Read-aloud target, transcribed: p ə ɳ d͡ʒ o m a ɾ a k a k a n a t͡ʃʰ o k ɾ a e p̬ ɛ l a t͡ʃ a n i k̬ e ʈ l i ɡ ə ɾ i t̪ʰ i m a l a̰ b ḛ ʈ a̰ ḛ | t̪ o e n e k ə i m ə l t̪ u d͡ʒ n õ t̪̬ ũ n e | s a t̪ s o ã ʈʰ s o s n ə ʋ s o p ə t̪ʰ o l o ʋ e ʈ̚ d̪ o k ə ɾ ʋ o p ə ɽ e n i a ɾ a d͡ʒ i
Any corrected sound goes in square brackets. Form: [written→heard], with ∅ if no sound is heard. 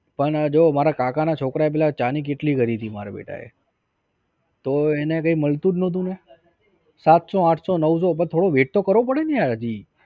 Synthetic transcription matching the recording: p ə ɳ d͡ʒ o m a ɾ a k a k a n a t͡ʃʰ o k ɾ a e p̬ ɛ l a t͡ʃ a n i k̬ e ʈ l i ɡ ə ɾ i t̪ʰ i m a [l→ɾ] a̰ b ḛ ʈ a̰ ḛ | t̪ o e n e k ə i m ə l t̪ u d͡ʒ n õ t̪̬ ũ n e | s a t̪ s o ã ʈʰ s o [s→∅] n ə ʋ s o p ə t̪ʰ o [l→ɽ] o ʋ e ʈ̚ [d̪→t̪] o k ə ɾ ʋ o p ə ɽ e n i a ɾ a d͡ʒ i